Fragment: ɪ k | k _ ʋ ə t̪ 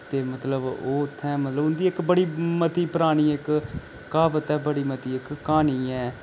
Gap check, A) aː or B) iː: A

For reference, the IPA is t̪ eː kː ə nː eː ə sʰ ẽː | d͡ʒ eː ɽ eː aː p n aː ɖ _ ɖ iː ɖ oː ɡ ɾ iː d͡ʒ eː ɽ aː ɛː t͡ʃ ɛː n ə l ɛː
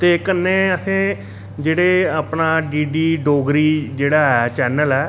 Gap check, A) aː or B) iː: B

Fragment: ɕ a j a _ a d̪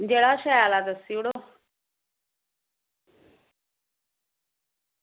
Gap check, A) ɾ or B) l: B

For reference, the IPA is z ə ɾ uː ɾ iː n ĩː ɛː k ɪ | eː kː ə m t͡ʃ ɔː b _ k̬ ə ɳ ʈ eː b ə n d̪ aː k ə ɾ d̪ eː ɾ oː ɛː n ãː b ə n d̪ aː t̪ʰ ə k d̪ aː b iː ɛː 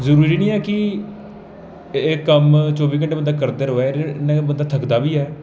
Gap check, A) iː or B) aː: A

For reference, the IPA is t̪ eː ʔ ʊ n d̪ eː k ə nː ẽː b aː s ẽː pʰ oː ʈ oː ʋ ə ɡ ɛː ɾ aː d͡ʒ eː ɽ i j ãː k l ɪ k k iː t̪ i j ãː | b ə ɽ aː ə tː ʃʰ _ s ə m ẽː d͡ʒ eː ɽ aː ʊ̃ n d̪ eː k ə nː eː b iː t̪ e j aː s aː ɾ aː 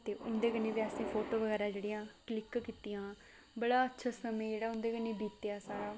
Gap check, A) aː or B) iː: A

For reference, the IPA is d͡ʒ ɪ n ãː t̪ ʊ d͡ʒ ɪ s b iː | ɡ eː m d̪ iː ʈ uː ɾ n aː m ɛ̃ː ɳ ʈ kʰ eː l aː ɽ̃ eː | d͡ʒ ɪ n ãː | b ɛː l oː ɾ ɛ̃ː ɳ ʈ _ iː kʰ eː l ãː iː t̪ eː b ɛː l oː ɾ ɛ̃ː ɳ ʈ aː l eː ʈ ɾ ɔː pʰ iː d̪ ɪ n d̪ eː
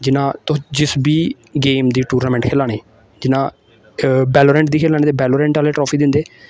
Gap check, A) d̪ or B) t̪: A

